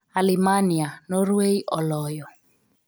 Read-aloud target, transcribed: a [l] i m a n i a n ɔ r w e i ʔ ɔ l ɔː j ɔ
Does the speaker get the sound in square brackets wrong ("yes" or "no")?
no